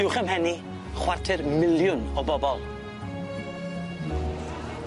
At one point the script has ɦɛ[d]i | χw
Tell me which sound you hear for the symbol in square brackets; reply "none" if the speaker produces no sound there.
n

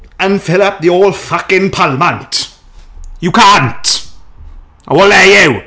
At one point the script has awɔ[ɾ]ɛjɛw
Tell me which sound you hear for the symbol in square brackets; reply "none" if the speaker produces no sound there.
l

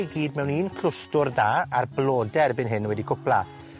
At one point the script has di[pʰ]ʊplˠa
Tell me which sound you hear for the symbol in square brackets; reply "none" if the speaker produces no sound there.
kʰ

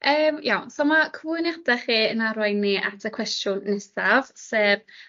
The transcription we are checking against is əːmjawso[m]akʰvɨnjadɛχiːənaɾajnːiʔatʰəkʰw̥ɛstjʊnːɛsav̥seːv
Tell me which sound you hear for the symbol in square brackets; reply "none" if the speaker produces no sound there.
m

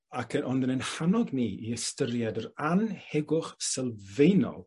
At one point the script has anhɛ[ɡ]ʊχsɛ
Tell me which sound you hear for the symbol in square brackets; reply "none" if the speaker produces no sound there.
ɡ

